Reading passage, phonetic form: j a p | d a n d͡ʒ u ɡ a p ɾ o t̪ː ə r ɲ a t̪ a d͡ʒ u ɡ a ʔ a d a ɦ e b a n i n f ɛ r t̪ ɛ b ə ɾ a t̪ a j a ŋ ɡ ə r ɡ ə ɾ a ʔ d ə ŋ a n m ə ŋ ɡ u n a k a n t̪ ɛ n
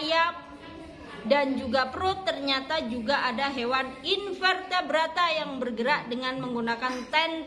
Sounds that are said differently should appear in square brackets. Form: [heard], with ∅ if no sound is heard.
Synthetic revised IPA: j a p | d a n d͡ʒ u ɡ a p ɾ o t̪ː ə r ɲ a t̪ a d͡ʒ u ɡ a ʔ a d a ɦ e [w] a n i n f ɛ r t̪ [a] b ə ɾ a t̪ a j a ŋ [b] ə r ɡ ə ɾ a ʔ d ə ŋ a n m ə ŋ ɡ u n a k a n t̪ ɛ n